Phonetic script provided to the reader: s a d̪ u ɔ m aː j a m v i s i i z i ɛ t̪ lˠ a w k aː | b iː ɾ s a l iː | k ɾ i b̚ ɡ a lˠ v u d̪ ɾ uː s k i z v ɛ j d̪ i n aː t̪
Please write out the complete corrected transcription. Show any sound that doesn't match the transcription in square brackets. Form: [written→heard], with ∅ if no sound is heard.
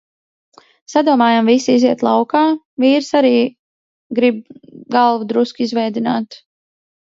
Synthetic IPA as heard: s a d̪ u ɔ m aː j a m v i s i i z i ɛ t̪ lˠ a w k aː | [b→v] iː ɾ s a [l→ɾ] iː | [k→ɡ] ɾ i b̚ ɡ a lˠ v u d̪ ɾ [uː→u] s k i z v ɛ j d̪ i n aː t̪

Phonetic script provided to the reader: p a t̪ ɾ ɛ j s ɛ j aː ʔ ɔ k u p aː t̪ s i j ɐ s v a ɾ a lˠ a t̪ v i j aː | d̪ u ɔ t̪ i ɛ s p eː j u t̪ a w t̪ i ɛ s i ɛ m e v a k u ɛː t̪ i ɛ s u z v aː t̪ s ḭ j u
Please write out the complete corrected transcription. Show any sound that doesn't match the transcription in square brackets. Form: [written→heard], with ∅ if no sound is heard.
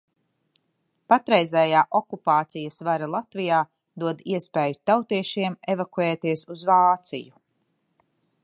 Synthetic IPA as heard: p a t̪ ɾ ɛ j [s→z] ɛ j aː ʔ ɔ k u p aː t̪ s i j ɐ s v a ɾ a lˠ a t̪ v i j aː | d̪ u ɔ [t̪→d̪] i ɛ s p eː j u t̪ a w t̪ i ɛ [s→ʃ] i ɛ m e v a k u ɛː t̪ i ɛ s u z v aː t̪ s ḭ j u

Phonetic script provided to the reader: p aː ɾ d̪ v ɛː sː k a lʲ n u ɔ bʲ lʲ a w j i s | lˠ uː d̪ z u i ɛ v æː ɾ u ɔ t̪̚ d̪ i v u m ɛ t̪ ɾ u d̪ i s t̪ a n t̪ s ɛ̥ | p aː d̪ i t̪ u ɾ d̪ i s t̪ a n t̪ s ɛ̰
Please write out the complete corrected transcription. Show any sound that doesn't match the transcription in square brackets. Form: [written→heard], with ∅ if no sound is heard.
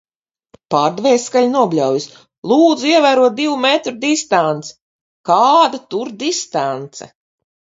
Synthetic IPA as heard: p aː ɾ d̪ v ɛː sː k a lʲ n u ɔ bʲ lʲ a w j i s | lˠ uː d̪ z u i ɛ v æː ɾ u ɔ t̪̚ d̪ i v u m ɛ t̪ ɾ u d̪ i s t̪ a n t̪ s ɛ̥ | [p→k] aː d̪ [i→a] t̪ u ɾ d̪ i s t̪ a n t̪ s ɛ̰

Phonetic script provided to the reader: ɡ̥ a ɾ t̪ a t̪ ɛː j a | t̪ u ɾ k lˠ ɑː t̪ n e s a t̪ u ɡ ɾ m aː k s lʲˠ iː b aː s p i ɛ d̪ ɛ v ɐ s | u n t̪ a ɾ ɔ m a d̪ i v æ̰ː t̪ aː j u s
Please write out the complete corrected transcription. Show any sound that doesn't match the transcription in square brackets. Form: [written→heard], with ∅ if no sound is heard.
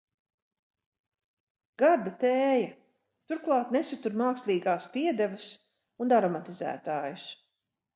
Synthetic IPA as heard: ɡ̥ a ɾ [t̪→d̪] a t̪ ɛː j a | t̪ u ɾ k lˠ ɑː t̪ n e s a t̪ u [ɡ→∅] ɾ m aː k s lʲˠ iː [b→ɡ] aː s p i ɛ d̪ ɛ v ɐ s | u n [t̪→d̪] a ɾ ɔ m a [d̪→t̪] i [v→z] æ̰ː t̪ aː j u s

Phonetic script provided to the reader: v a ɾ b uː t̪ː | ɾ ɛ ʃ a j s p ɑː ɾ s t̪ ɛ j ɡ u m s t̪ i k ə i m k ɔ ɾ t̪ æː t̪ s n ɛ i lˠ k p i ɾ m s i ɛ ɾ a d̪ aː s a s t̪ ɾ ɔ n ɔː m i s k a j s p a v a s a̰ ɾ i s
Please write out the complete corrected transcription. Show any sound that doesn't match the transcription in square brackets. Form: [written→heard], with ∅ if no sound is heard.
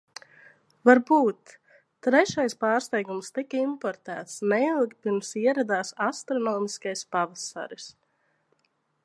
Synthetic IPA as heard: v a ɾ b uː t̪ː | ɾ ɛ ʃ a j s p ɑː ɾ s t̪ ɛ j ɡ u m s t̪ i k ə i m [k→p] ɔ ɾ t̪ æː t̪ s n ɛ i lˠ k p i ɾ m s i ɛ ɾ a d̪ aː s a s t̪ ɾ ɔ n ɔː m i s k a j s p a v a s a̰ ɾ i s

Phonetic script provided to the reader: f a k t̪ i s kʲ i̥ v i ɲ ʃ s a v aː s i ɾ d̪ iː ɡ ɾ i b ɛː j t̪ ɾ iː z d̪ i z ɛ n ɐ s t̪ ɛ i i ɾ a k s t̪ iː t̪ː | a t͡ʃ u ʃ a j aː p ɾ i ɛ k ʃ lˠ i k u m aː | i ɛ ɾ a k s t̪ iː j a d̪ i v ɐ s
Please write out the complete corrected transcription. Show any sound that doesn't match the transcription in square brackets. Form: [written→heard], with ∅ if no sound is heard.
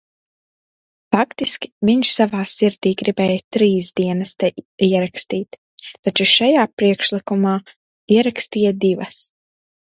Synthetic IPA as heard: f a k t̪ i s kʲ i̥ v i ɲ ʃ s a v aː s i ɾ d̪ iː ɡ ɾ i b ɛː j t̪ ɾ iː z d̪ i [z→∅] ɛ n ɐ s t̪ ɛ i [i→ɛ] ɾ a k s t̪ iː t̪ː | a t͡ʃ u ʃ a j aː p ɾ i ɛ k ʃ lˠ i k u m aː | i ɛ ɾ a k s t̪ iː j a d̪ i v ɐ s

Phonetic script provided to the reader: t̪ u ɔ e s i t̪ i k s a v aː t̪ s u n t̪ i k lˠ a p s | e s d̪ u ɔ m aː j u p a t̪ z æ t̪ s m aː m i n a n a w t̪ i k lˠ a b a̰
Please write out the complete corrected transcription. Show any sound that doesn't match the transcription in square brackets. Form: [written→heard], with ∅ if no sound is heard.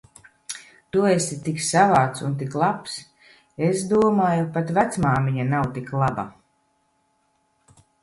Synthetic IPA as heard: t̪ u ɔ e s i t̪ i k s a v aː t̪ s u n t̪ i k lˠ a p s | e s d̪ u ɔ m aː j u p a t̪ [z→v] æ t̪ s m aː m i [n→ɲ] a n a w t̪ i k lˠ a b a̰

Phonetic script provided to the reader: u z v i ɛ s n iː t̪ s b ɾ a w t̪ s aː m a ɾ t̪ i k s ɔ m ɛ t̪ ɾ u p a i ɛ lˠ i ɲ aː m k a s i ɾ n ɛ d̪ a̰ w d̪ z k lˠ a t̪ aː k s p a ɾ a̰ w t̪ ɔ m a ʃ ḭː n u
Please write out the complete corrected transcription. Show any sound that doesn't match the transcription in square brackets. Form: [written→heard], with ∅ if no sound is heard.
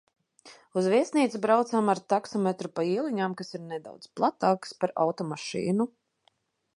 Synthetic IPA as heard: u z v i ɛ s n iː t̪ s b ɾ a w t̪ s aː m a ɾ t̪ [i→a] k s ɔ m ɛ t̪ ɾ u p a i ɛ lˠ i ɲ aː m k a s i ɾ n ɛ d̪ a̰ w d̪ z [k→p] lˠ a t̪ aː k s p a ɾ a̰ w t̪ ɔ m a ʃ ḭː n u

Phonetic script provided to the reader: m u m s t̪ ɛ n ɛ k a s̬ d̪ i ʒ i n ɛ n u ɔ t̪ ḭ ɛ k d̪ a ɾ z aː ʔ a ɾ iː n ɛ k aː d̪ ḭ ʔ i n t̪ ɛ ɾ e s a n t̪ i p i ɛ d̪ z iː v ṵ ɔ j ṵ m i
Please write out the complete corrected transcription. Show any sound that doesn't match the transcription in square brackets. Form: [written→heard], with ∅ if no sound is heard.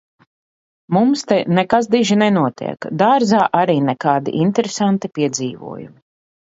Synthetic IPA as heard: m u m s t̪ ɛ n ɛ k a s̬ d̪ i ʒ i n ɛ n u ɔ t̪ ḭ ɛ k d̪ a ɾ z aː ʔ a ɾ iː n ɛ k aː d̪ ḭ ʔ i n t̪ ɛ ɾ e s a n t̪ i p i ɛ d̪ z iː v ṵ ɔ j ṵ m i

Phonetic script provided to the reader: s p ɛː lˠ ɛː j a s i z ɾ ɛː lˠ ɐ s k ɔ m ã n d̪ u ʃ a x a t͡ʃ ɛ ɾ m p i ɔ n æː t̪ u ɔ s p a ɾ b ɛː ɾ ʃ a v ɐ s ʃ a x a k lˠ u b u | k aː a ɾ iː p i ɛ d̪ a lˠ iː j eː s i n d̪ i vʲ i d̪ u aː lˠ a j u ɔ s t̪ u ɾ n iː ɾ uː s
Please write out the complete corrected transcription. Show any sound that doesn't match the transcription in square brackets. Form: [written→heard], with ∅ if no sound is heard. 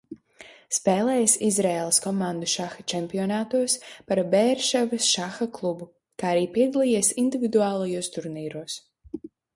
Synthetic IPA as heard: s p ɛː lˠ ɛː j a s i z ɾ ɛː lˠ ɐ s k ɔ m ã n d̪ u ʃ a x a t͡ʃ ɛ [ɾ→∅] m p i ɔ n [æː→aː] t̪ u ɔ s p a ɾ b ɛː ɾ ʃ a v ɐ s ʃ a x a k lˠ u b u | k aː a ɾ iː p i ɛ d̪ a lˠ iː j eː s i n d̪ i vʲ i d̪ u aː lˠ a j u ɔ s t̪ u ɾ n iː ɾ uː s

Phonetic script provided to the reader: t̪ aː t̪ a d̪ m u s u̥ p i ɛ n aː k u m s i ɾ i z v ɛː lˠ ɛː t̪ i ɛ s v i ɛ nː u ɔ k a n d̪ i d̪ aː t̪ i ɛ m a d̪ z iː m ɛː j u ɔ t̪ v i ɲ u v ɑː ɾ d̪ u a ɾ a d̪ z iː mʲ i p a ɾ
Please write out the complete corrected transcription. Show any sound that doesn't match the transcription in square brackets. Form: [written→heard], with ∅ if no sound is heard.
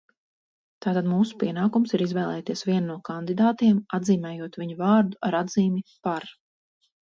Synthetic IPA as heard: t̪ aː t̪ a d̪ m [u→uː] s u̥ p i ɛ n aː k u m s i ɾ i z v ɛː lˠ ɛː t̪ i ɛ s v i ɛ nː u ɔ k a n d̪ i d̪ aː t̪ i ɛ m a d̪ z iː m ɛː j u ɔ t̪ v i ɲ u v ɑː ɾ d̪ u a ɾ a d̪ z iː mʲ i p a ɾ

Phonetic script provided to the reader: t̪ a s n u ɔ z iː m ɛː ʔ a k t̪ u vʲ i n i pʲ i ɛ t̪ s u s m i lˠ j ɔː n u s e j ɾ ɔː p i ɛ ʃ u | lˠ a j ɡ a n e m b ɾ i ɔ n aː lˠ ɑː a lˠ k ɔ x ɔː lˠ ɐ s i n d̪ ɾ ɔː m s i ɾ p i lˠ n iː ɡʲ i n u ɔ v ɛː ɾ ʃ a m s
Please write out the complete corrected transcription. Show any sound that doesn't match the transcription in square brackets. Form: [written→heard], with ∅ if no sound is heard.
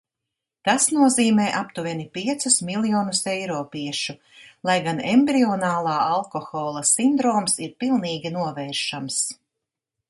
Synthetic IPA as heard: t̪ a s n u ɔ z iː m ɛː ʔ a [k→p] t̪ u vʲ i n i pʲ i ɛ t̪ s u s m i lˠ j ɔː n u s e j ɾ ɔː p i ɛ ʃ u | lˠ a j ɡ a n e m b ɾ i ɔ n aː lˠ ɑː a lˠ k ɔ x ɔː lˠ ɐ s i n d̪ ɾ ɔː m s i ɾ p i lˠ n iː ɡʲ i n u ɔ v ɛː ɾ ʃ a m s

